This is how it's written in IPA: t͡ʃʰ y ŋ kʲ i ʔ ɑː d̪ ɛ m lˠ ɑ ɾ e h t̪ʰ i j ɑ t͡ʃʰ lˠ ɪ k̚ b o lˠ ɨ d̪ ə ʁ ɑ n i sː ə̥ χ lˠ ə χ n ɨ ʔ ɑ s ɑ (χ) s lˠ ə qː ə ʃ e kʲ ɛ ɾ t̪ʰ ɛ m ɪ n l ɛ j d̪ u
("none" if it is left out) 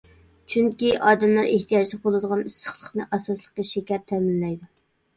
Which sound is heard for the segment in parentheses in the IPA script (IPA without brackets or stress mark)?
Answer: none